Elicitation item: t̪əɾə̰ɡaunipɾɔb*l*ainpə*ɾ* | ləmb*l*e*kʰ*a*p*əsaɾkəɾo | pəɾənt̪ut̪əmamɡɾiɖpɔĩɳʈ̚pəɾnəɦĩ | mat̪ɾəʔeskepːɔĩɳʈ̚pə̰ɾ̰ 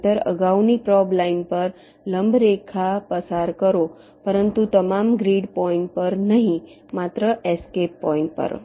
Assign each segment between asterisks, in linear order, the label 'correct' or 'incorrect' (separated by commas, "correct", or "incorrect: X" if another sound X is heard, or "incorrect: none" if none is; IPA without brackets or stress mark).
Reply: correct, correct, incorrect: ɾ, correct, correct